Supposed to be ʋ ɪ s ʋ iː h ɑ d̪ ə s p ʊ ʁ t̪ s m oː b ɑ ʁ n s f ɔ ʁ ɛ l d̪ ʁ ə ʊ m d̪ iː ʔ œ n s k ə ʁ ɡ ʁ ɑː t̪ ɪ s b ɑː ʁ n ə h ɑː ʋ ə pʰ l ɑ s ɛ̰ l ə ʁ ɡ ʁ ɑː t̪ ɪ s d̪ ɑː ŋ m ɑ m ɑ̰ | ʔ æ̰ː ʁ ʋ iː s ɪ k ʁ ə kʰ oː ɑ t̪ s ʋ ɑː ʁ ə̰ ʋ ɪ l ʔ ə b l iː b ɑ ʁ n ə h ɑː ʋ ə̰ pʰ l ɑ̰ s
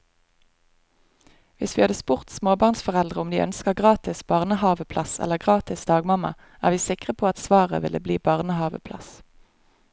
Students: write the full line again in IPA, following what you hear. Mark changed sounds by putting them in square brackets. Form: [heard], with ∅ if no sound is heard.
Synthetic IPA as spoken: ʋ ɪ s ʋ iː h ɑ d̪ ə s p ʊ ʁ t̪ s m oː b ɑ ʁ n s f ɔ ʁ ɛ l d̪ ʁ ə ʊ m d̪ iː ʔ œ n s k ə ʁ ɡ ʁ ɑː t̪ ɪ s b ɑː ʁ n ə h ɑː ʋ ə pʰ l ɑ s ɛ̰ l ə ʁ ɡ ʁ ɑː t̪ ɪ s d̪ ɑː [ɡ] m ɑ m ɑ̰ | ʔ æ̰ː ʁ ʋ iː s ɪ k ʁ ə [pʰ] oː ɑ t̪ s ʋ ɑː ʁ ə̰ ʋ ɪ l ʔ ə b l iː b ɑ ʁ n ə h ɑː ʋ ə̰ pʰ l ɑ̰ s